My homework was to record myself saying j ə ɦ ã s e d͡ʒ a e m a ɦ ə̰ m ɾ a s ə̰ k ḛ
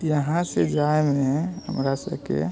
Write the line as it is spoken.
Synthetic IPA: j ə ɦ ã s e d͡ʒ a e m e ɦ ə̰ m ɾ a s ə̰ k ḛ